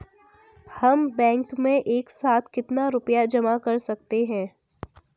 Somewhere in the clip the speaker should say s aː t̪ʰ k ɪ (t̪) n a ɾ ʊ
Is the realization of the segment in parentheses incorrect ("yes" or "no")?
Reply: no